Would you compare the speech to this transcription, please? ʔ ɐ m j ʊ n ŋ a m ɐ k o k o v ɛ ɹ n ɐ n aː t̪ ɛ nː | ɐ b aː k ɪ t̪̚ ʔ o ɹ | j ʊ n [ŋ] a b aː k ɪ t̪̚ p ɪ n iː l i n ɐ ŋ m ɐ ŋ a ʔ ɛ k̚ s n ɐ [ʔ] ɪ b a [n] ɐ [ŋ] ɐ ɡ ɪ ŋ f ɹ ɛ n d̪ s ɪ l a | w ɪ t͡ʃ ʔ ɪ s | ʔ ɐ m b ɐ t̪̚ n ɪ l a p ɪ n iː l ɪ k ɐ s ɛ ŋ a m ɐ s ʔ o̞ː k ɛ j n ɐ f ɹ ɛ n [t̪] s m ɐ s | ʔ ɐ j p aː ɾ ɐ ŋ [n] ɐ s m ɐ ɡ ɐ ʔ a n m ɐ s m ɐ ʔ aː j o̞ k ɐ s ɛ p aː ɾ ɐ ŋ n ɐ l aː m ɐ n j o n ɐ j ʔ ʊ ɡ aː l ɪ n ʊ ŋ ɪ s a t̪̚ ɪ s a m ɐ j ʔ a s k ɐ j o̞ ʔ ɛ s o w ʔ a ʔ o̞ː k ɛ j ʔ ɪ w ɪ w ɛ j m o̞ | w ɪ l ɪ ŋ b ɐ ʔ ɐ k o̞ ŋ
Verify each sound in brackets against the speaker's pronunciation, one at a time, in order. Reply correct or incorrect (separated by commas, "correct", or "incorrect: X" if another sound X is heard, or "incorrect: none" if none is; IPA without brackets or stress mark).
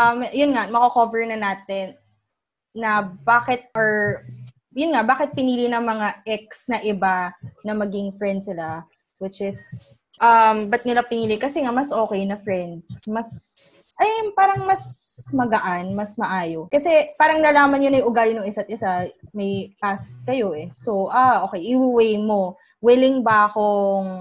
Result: correct, correct, correct, incorrect: m, incorrect: d̪, incorrect: m